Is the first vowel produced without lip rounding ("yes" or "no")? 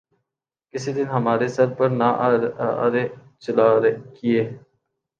yes